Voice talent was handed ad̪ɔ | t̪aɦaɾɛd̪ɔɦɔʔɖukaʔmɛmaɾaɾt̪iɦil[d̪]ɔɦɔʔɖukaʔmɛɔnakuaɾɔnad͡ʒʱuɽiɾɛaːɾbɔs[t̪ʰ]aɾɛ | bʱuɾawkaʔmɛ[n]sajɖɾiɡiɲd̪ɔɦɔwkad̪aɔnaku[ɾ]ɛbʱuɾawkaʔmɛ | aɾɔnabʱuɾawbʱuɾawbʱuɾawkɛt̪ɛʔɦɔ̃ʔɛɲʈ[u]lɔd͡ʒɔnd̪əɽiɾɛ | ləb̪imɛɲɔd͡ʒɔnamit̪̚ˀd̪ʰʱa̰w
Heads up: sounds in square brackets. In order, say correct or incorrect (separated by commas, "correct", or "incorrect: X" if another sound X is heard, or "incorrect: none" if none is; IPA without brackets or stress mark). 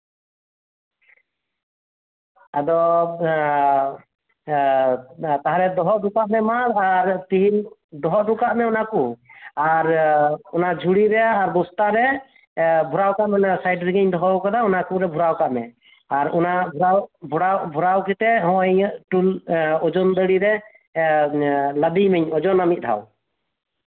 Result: correct, incorrect: t̪, correct, correct, correct